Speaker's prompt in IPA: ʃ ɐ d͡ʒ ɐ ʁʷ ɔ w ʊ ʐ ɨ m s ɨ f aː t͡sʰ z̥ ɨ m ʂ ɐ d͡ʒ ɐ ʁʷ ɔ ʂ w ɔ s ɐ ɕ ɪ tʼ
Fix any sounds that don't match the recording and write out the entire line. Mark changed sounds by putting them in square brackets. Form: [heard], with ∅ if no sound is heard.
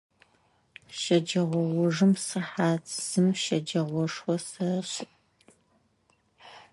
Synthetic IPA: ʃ ɐ d͡ʒ ɐ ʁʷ ɔ w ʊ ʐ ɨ m s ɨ [ħ] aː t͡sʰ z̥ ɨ m [ʃ] ɐ d͡ʒ ɐ ʁʷ ɔ ʂ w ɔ s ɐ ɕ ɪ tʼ

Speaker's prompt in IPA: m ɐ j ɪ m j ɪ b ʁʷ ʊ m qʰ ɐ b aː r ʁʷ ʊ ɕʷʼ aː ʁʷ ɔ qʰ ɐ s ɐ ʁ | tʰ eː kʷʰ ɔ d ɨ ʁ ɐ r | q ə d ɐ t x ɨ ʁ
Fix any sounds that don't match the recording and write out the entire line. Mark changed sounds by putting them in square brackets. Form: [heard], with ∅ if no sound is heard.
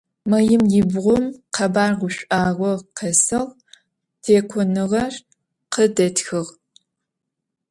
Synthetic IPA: m ɐ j ɪ m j ɪ b ʁʷ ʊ m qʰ ɐ b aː r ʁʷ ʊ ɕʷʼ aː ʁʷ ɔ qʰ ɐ s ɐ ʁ | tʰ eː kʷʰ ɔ [n] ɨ ʁ ɐ r | q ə d ɐ t x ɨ ʁ

